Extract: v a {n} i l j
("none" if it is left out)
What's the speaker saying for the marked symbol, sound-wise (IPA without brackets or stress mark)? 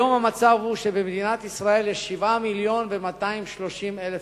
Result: m